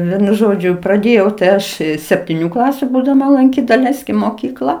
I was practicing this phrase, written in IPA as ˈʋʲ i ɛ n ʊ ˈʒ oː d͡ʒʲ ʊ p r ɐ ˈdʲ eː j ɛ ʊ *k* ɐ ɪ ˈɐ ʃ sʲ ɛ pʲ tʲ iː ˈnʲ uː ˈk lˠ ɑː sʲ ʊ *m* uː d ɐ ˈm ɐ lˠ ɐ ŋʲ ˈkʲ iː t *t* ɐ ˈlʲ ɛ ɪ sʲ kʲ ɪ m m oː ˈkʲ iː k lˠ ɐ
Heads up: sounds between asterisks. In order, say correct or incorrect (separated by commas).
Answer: incorrect, incorrect, incorrect